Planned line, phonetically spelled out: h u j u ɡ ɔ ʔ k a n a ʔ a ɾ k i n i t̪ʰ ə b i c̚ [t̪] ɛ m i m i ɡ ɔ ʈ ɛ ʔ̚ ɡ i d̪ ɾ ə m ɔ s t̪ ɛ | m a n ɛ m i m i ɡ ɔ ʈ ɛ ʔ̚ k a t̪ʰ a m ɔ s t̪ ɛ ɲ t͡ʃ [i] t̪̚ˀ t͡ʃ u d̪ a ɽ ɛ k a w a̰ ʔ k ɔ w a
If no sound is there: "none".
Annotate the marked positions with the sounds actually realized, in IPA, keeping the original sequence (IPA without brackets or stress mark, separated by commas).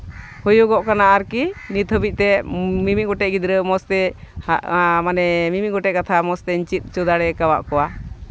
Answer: t̪, i